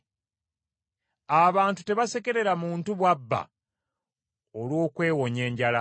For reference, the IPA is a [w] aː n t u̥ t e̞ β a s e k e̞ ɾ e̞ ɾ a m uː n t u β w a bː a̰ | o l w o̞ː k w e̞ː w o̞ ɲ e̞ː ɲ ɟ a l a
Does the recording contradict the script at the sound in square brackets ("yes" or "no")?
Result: yes